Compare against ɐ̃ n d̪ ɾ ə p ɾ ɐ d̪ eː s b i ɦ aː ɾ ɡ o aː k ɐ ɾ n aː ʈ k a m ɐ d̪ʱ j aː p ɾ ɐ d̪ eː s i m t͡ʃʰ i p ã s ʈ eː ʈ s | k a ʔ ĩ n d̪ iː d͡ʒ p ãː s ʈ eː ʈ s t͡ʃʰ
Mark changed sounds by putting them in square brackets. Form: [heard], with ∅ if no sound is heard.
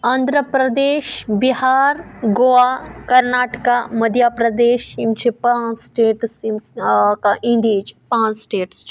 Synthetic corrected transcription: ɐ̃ n d̪ ɾ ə p ɾ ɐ d̪ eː [ʃ] b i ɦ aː ɾ ɡ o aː k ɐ ɾ n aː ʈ k a m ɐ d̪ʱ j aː p ɾ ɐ d̪ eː [ʃ] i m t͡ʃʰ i p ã s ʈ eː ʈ s | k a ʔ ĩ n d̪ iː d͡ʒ p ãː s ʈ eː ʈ s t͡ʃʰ